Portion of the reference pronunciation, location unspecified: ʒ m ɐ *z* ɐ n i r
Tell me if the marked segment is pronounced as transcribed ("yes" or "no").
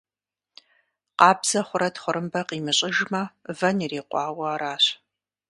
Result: no